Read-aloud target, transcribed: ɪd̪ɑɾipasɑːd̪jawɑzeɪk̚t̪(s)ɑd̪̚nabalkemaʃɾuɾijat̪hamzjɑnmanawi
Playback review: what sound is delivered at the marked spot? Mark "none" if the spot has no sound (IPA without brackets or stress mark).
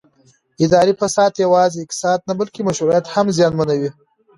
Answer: s